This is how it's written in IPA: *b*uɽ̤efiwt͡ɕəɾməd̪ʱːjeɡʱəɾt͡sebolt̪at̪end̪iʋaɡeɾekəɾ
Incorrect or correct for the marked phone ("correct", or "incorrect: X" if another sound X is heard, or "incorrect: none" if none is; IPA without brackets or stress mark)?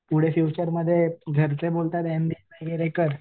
incorrect: p